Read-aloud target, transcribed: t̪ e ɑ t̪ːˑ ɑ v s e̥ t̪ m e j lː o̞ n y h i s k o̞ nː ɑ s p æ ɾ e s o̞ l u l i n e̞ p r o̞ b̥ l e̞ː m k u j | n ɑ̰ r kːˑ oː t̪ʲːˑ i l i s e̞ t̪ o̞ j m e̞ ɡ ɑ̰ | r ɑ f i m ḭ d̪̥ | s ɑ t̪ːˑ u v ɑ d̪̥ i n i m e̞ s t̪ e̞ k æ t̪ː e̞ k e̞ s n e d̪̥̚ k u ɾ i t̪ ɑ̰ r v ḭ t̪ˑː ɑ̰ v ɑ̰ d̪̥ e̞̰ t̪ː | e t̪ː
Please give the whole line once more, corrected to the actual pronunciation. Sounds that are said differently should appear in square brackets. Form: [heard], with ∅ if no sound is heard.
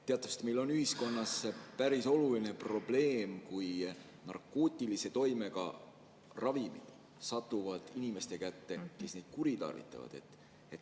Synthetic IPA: t̪ e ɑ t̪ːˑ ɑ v s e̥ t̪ m e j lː o̞ n y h i s k o̞ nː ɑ s p æ ɾ [i] s o̞ l u l i n e̞ p r o̞ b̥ l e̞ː m k u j | n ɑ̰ r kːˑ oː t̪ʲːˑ i l i s e̞ t̪ o̞ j m e̞ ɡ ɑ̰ | r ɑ [v] i m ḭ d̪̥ | s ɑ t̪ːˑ u v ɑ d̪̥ i n i m e̞ s t̪ e̞ k æ t̪ː e̞ k e̞ s n e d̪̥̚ k u ɾ i t̪ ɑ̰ r v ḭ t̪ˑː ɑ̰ v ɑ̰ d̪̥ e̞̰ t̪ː | e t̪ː